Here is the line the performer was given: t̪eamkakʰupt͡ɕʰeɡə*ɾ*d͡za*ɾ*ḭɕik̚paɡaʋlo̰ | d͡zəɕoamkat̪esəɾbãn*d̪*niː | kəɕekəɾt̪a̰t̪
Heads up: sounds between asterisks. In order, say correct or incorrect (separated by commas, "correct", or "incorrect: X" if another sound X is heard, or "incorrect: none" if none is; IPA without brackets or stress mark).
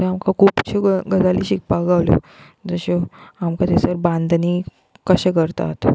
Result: incorrect: none, incorrect: l, correct